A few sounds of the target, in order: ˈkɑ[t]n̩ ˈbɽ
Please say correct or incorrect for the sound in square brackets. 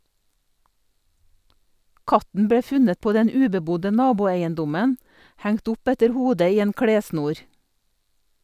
correct